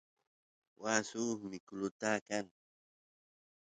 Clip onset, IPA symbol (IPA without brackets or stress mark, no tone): w